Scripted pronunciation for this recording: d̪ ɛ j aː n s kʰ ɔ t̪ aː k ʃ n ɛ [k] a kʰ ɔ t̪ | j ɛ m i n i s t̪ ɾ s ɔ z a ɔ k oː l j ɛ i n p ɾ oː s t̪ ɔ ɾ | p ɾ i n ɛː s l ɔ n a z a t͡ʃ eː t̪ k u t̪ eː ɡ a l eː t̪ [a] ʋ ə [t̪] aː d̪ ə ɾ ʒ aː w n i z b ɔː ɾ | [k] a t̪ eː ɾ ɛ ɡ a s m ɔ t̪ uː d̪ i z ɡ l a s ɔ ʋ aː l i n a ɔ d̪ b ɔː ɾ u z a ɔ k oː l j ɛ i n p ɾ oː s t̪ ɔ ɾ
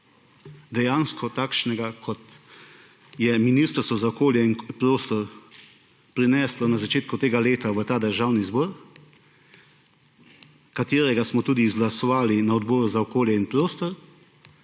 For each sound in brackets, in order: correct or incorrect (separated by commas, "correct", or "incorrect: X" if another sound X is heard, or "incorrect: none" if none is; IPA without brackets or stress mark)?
incorrect: ɡ, correct, correct, correct